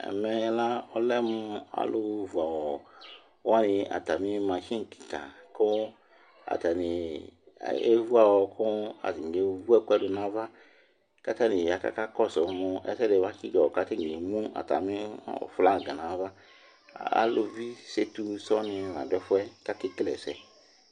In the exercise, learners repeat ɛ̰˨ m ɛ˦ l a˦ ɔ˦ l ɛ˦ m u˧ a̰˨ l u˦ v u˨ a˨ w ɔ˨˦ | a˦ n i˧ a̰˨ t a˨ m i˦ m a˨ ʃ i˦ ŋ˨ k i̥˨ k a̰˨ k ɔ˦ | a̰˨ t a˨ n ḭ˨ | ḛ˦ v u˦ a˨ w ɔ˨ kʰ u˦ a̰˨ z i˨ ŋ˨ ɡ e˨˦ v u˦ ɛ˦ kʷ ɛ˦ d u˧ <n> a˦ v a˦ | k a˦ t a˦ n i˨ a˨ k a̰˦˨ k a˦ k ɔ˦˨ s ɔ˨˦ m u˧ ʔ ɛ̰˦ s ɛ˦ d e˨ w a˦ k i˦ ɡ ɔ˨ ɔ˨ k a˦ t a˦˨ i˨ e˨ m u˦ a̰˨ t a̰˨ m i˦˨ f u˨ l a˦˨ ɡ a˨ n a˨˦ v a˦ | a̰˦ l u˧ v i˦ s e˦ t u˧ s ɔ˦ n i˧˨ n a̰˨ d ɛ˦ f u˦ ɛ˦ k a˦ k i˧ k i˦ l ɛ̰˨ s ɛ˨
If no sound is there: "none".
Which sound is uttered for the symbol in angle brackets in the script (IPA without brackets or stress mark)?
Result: n